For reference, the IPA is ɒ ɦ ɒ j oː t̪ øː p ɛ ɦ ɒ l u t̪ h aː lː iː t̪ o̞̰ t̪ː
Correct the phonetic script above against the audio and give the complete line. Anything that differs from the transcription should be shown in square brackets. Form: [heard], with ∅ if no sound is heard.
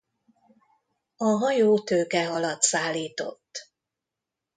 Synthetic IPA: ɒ ɦ ɒ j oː t̪ øː [k] ɛ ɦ ɒ l [ɒ] t̪ [s] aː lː iː t̪ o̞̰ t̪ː